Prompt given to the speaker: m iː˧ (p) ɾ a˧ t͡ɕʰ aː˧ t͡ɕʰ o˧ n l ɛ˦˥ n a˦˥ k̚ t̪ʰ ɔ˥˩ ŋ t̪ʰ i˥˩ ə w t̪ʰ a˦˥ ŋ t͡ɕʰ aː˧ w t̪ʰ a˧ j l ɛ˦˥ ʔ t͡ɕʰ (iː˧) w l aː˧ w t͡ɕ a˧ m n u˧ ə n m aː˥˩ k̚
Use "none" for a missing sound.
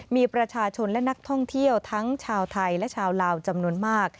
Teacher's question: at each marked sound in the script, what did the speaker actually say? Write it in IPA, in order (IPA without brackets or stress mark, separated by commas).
p, aː˧